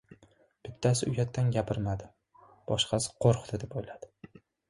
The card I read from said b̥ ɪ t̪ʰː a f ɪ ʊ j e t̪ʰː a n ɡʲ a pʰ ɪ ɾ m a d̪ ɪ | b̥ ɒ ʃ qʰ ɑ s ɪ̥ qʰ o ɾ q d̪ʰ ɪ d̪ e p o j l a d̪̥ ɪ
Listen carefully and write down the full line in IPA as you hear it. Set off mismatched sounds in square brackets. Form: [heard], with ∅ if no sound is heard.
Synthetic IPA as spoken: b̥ ɪ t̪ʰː a [s] ɪ ʊ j [a] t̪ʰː a n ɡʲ a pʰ ɪ ɾ m a d̪ ɪ | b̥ ɒ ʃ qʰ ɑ s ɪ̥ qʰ o ɾ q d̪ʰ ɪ d̪ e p o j l a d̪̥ ɪ

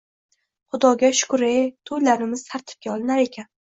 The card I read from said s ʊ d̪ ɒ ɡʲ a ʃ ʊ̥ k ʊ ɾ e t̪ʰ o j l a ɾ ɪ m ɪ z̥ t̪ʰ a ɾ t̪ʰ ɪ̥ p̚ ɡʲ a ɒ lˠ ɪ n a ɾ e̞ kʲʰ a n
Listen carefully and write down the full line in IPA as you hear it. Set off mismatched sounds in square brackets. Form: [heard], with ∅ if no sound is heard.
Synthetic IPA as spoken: [χ] ʊ d̪ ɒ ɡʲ a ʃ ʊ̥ k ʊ ɾ e t̪ʰ o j l a ɾ ɪ m ɪ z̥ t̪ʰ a ɾ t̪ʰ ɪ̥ p̚ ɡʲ a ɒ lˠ ɪ n a ɾ e̞ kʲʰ a n

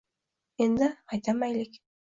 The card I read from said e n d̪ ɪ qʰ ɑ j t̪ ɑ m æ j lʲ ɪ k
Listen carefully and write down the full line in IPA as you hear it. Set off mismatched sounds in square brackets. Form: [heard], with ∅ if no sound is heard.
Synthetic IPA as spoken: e n d̪ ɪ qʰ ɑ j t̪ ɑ m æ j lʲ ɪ k

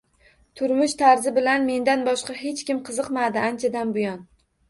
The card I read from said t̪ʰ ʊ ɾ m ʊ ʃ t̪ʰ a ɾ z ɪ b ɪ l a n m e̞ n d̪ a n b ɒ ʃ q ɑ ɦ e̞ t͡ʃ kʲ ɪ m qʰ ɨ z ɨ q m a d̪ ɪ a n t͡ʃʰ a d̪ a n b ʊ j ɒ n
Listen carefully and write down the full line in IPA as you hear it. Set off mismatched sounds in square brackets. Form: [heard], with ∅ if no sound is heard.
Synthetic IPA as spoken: t̪ʰ ʊ ɾ m ʊ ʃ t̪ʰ a ɾ z ɪ b ɪ l a n m e̞ n d̪ a n b ɒ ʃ q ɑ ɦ e̞ t͡ʃ kʲ ɪ m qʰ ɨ z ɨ q m a d̪ ɪ a n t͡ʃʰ a d̪ a n b ʊ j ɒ n

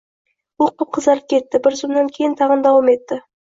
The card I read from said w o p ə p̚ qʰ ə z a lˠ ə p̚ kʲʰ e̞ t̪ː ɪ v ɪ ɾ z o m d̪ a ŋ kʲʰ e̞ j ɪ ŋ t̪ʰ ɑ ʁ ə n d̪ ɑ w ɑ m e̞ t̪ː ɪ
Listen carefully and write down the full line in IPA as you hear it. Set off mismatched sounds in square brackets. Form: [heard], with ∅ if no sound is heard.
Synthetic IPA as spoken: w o [q] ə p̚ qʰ ə z [ɑ] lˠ ə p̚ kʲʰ e̞ t̪ː ɪ [b] ɪ ɾ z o m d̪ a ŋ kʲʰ e̞ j ɪ [n] t̪ʰ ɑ ʁ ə n d̪ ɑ w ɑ m e̞ t̪ː ɪ

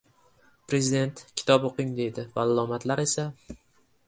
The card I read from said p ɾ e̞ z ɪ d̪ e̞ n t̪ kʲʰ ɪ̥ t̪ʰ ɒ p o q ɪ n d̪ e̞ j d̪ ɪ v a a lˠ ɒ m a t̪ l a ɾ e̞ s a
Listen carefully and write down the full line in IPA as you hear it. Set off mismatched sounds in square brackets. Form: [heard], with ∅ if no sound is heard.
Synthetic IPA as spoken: p ɾ e̞ z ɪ d̪ e̞ n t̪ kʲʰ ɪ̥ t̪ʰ ɒ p o q ɪ [ŋ] d̪ e̞ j d̪ ɪ v a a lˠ ɒ m a t̪ l a ɾ e̞ s a

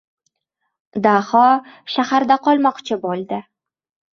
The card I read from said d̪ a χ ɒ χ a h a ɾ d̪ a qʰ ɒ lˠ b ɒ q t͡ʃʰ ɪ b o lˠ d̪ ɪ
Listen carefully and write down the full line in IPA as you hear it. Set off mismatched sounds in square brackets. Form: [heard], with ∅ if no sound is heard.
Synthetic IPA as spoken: d̪ a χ ɒ [ʃ] a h a ɾ d̪ a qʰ ɒ lˠ [m] ɒ q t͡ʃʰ ɪ b o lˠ d̪ ɪ

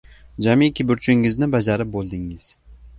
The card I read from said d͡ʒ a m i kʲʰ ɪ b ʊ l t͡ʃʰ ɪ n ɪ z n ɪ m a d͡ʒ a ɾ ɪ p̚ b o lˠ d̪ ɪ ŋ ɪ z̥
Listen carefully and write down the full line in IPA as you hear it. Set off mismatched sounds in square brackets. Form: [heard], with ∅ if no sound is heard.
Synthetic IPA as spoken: d͡ʒ a m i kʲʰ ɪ b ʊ [ɾ] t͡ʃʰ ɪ [ŋ] ɪ z n ɪ [b] a d͡ʒ a ɾ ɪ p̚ b o lˠ d̪ ɪ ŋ ɪ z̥

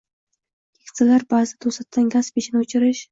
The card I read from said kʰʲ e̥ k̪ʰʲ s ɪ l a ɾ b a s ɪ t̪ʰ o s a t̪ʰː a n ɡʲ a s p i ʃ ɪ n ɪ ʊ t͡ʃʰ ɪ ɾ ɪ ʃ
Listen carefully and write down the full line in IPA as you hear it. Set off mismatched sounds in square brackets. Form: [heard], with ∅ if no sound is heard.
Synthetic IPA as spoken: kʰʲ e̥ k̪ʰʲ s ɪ l a ɾ b a [z] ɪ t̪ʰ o s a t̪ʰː a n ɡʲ a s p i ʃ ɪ n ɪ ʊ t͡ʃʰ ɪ ɾ ɪ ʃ

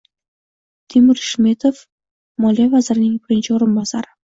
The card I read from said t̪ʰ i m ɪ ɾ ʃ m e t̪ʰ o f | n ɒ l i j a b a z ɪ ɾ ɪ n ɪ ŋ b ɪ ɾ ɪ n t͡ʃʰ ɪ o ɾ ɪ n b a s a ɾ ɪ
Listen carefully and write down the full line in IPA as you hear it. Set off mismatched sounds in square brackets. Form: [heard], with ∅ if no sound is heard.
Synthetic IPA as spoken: t̪ʰ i m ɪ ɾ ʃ m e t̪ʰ o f | [m] ɒ l i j a [v] a z ɪ ɾ ɪ n ɪ ŋ b ɪ ɾ ɪ n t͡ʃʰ ɪ o ɾ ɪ n b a s a ɾ ɪ

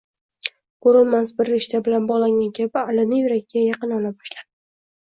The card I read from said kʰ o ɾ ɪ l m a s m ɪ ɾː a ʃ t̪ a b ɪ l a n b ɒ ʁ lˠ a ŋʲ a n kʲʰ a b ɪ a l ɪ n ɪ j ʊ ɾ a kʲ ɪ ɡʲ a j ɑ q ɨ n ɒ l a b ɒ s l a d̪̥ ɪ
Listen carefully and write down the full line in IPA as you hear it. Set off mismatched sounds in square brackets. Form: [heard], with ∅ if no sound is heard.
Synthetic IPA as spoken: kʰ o ɾ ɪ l m a s [b] ɪ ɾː [e] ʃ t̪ a b ɪ l a n b ɒ ʁ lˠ a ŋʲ a n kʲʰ a b ɪ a l ɪ n ɪ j ʊ ɾ a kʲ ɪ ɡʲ a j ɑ q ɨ n ɒ l a b ɒ [ʃ] l a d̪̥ ɪ

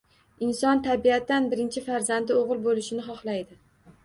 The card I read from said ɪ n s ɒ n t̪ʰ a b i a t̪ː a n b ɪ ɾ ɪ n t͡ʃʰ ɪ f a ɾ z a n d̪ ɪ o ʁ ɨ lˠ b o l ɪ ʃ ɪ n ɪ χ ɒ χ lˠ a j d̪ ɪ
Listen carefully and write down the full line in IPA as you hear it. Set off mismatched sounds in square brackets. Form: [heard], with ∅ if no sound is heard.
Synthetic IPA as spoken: ɪ n s ɒ n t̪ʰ a b i a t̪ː a n b ɪ ɾ ɪ n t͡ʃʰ ɪ f a ɾ z a n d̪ ɪ o ʁ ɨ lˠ b o l ɪ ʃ ɪ n ɪ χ ɒ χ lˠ a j d̪ ɪ

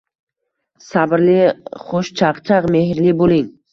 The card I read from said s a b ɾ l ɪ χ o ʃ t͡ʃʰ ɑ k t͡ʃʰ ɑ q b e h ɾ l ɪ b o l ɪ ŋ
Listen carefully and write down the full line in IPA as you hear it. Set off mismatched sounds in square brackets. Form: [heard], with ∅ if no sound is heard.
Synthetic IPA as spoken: s a b ɾ l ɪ χ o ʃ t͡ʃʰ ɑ [q] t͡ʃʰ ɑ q [m] e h ɾ l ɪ b o l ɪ ŋ

